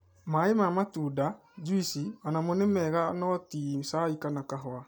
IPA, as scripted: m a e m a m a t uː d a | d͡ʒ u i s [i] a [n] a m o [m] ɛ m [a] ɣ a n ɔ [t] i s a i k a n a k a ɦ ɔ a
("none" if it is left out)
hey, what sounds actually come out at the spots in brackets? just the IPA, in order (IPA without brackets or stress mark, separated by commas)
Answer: i, n, n, ɛ, t